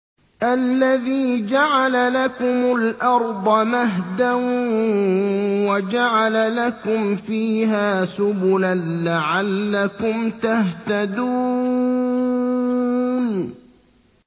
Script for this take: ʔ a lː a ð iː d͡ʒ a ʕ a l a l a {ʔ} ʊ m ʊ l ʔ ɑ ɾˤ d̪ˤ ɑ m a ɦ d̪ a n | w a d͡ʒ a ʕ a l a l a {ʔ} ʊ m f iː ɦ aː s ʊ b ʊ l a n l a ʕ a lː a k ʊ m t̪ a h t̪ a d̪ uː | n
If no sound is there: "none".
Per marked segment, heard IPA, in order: k, k

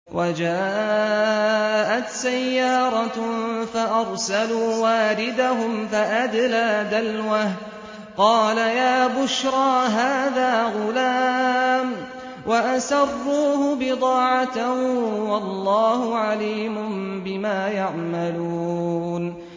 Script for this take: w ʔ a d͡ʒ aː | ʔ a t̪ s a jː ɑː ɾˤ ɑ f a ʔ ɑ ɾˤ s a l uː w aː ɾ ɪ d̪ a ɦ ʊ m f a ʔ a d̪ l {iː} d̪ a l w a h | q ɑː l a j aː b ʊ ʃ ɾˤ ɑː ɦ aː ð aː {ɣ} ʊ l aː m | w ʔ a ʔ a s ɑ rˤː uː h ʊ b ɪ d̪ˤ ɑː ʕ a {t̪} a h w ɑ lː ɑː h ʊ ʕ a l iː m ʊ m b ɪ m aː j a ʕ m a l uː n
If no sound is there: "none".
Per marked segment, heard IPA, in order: aː, ɣ, t̪

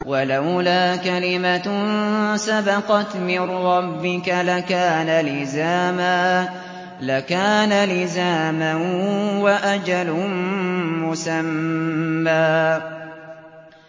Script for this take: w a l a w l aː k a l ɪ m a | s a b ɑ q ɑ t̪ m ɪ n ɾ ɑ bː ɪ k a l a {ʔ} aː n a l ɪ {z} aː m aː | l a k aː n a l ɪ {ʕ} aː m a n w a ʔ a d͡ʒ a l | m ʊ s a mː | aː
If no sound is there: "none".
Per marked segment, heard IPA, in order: k, z, z

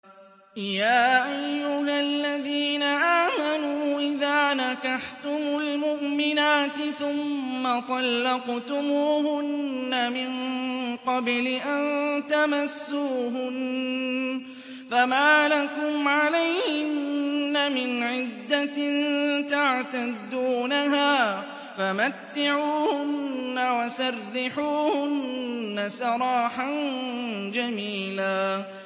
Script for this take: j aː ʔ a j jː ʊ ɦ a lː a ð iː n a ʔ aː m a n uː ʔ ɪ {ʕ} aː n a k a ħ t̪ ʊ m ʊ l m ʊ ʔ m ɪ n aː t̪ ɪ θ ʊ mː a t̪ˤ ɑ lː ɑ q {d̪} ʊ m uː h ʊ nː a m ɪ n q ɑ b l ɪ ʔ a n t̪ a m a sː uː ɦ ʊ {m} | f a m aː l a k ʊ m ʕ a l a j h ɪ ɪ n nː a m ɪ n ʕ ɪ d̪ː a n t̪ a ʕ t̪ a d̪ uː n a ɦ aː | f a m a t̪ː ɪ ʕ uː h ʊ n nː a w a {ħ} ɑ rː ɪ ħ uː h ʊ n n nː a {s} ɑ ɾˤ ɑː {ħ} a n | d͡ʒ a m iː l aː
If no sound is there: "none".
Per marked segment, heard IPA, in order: ð, t̪, n, s, s, ħ

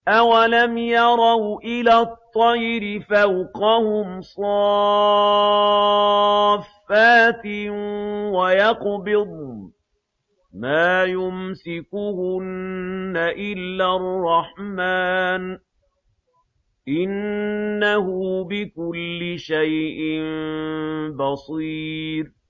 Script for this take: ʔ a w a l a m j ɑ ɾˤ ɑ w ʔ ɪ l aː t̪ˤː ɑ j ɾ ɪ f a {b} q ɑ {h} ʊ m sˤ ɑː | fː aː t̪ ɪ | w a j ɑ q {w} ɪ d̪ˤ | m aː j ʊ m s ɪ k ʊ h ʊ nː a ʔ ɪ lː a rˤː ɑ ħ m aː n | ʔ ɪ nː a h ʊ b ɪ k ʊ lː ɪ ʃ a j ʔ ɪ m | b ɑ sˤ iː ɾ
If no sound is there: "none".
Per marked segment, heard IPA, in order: w, h, b

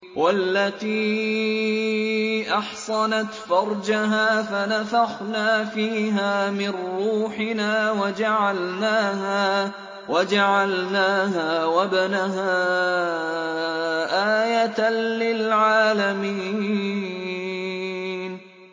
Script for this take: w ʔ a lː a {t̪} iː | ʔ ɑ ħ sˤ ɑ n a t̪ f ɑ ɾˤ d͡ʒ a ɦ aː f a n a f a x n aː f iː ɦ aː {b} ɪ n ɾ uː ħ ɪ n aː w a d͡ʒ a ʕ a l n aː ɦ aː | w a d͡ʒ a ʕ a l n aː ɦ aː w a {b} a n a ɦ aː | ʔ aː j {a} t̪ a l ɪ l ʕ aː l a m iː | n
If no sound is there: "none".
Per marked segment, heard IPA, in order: t̪, m, b, a

